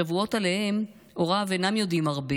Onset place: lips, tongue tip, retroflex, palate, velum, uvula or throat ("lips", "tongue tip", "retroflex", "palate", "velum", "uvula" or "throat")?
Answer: lips